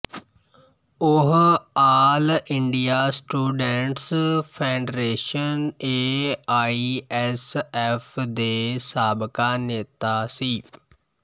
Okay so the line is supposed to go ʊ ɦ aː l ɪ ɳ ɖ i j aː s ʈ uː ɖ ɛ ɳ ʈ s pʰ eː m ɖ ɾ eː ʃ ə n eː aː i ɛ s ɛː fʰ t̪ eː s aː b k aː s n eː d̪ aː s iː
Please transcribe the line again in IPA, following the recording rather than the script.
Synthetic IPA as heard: ʊ ɦ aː l ɪ ɳ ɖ i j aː s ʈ uː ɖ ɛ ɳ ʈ s pʰ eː ɳ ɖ ɾ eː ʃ ə n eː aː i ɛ s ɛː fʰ d̪ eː s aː b k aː n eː t̪ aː s iː